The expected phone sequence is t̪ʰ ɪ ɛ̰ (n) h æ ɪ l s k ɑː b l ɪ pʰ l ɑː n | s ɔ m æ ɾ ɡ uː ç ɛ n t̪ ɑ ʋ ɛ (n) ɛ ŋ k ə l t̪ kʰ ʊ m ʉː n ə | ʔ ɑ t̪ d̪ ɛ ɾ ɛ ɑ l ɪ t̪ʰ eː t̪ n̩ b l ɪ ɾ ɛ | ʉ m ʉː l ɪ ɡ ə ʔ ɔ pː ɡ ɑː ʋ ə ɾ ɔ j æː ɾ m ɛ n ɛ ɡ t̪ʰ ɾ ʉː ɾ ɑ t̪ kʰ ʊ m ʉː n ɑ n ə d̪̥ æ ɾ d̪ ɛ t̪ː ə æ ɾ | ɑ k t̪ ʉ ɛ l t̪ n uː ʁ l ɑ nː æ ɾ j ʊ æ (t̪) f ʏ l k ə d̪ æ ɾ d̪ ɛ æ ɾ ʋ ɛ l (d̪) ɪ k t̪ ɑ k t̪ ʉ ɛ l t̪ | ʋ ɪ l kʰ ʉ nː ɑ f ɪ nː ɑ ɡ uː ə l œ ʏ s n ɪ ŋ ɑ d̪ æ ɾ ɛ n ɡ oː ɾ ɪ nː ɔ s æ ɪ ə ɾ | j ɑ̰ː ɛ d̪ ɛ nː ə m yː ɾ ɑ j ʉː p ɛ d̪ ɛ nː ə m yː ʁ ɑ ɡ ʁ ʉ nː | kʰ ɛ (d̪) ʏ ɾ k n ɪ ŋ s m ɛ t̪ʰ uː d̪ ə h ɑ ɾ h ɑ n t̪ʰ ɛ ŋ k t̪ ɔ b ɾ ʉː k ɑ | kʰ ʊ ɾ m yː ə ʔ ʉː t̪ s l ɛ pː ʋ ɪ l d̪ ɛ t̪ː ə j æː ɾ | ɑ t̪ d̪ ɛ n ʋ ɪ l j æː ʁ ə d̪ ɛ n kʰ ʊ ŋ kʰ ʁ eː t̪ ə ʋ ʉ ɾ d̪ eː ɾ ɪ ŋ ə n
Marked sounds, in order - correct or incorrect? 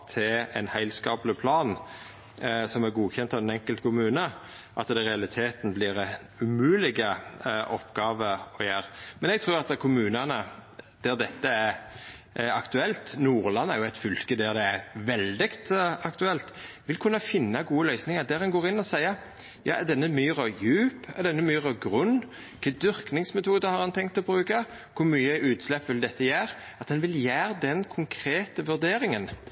correct, correct, correct, correct, correct

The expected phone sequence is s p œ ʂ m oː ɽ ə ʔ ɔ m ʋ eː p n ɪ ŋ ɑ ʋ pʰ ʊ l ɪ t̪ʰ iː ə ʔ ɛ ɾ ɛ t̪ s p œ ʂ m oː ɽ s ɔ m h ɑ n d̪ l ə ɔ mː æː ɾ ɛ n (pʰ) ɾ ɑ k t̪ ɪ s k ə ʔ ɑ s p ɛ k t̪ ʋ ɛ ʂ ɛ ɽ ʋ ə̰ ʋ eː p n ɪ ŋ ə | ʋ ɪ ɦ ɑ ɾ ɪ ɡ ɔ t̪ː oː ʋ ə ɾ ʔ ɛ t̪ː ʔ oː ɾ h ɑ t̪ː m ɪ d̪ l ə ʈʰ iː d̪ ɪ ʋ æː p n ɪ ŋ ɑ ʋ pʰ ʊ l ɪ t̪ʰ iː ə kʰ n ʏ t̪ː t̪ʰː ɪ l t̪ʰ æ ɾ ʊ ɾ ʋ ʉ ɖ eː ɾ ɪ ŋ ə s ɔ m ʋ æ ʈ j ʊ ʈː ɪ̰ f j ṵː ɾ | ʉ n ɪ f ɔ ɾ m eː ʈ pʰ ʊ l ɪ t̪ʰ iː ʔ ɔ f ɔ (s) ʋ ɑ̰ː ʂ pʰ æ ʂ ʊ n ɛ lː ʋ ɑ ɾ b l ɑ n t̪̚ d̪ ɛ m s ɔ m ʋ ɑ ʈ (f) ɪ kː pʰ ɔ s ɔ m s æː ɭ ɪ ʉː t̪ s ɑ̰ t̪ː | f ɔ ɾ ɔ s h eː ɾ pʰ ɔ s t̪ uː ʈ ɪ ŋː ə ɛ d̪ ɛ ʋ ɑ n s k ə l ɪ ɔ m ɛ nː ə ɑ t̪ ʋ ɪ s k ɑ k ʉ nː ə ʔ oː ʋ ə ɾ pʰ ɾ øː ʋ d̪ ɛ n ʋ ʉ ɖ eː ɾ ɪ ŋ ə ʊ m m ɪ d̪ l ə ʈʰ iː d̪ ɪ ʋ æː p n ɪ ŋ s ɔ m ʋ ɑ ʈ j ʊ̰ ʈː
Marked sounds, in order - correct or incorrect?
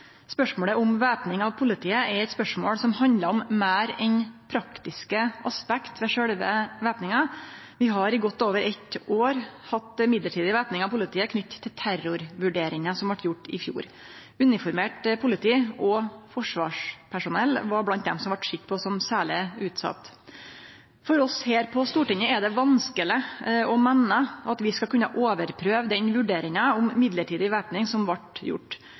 correct, incorrect, incorrect

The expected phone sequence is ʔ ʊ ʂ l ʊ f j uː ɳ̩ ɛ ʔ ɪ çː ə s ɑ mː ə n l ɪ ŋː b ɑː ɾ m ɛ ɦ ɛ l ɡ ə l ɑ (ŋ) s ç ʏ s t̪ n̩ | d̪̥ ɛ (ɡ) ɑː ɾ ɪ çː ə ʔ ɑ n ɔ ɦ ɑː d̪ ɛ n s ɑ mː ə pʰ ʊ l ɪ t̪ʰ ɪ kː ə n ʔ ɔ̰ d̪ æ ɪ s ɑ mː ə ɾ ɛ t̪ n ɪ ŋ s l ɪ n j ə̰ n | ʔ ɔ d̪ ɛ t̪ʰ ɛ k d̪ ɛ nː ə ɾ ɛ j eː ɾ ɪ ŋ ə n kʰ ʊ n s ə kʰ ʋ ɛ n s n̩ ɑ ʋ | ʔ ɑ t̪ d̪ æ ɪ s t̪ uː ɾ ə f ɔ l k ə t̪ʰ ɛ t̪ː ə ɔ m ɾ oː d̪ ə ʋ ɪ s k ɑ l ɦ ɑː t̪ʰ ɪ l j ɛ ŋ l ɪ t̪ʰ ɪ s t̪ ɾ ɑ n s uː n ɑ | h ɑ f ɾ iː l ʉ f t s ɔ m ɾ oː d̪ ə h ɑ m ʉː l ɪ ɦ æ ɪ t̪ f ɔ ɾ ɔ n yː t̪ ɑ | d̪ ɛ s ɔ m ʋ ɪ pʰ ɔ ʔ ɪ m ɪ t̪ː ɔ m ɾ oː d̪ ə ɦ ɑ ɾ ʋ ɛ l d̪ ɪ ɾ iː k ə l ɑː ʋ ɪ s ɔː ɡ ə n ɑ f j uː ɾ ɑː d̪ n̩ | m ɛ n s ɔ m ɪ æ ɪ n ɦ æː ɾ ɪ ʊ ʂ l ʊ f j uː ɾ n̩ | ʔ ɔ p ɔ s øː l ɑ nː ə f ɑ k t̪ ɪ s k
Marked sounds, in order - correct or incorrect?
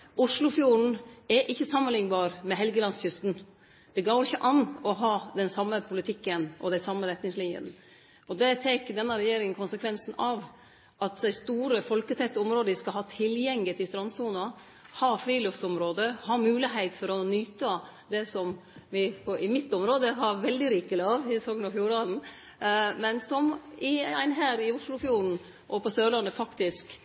incorrect, correct

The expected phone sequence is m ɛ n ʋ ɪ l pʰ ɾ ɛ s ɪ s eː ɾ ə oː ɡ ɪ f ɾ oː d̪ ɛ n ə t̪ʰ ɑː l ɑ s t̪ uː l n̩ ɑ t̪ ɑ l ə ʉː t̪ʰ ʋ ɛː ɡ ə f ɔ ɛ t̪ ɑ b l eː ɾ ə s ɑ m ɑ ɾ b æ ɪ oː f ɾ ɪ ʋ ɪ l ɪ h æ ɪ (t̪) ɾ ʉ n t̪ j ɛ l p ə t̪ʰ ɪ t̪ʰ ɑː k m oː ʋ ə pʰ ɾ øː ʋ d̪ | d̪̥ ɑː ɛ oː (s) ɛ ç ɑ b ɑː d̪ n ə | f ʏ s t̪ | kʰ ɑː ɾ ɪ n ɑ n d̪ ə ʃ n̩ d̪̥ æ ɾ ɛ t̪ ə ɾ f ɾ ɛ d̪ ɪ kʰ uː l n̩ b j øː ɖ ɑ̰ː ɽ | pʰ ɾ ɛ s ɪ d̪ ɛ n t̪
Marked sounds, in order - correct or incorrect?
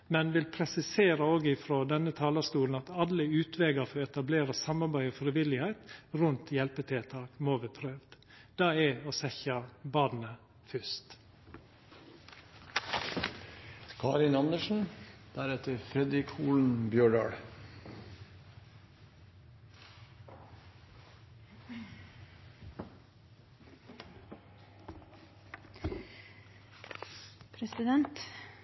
correct, correct

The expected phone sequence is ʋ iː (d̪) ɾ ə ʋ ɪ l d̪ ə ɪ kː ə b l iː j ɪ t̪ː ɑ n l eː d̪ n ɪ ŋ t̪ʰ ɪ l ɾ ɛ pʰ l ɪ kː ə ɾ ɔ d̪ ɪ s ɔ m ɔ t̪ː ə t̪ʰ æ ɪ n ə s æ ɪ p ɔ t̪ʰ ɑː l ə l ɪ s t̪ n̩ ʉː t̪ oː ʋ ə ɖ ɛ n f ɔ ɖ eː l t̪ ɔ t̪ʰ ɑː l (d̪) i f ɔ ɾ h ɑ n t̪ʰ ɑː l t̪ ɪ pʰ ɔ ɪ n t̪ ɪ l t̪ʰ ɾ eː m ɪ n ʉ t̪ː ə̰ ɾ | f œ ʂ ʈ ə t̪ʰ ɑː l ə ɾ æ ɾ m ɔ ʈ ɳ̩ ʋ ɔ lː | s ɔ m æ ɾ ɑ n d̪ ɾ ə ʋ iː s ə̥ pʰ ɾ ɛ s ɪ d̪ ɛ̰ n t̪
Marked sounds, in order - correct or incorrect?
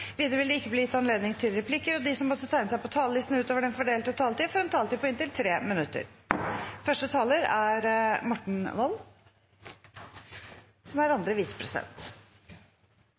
correct, incorrect

